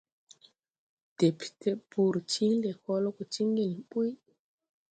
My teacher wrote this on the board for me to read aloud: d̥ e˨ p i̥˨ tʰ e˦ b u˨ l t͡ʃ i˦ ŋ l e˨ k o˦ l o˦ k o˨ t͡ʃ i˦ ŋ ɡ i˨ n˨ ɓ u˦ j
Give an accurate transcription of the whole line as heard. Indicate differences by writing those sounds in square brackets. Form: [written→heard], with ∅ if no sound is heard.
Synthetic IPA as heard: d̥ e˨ p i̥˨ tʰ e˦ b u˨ [l→ɾ] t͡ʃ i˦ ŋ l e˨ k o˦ l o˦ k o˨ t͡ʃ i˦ ŋ ɡ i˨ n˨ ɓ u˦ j